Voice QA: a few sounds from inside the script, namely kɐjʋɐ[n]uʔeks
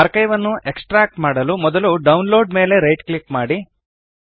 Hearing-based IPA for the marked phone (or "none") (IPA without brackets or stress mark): nː